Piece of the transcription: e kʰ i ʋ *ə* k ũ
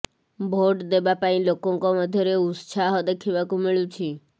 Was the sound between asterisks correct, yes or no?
no